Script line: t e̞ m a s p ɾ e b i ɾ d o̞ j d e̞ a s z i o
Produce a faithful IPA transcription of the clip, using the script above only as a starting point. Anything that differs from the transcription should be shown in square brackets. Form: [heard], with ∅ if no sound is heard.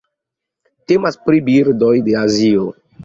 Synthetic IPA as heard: t e̞ m a s p ɾ [i] b i ɾ d o̞ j d e̞ a [∅] z i o